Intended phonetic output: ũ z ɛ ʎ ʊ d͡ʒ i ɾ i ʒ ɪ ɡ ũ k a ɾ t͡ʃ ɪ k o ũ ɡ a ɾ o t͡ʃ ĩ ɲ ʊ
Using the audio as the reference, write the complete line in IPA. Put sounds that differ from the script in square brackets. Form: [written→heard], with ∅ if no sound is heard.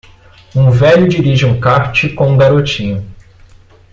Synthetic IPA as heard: ũ [z→v] ɛ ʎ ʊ d͡ʒ i ɾ i ʒ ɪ [ɡ→∅] ũ k a ɾ t͡ʃ ɪ k [o→õ] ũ ɡ a ɾ o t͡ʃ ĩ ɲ ʊ

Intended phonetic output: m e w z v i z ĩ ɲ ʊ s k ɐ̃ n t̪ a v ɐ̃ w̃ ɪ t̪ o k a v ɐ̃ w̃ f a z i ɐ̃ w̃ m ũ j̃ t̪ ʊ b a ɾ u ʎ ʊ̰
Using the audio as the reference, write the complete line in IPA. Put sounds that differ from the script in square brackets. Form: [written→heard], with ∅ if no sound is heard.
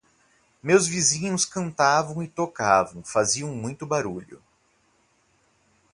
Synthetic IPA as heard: m e w z v i z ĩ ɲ ʊ s k ɐ̃ n t̪ a v ɐ̃ w̃ ɪ t̪ o k a v ɐ̃ w̃ f a z i ɐ̃ w̃ m ũ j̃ t̪ ʊ b a ɾ u ʎ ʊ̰

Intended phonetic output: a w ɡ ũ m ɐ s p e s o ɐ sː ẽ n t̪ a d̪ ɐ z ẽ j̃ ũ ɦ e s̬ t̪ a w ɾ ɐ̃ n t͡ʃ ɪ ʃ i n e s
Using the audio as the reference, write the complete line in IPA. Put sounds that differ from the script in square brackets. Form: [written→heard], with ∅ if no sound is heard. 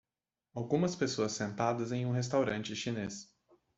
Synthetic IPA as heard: a w ɡ ũ m ɐ s p e s o ɐ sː ẽ n t̪ a d̪ ɐ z ẽ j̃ ũ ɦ e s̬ t̪ a w ɾ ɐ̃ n t͡ʃ ɪ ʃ i n e s

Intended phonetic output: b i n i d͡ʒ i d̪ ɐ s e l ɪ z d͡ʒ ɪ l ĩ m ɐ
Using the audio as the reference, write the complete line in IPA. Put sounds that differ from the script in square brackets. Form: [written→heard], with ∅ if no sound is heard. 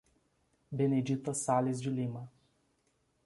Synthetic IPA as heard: b [i→e] n [i→e] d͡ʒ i [d̪→t̪] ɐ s [e→a] l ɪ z d͡ʒ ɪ l [ĩ→i] m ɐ

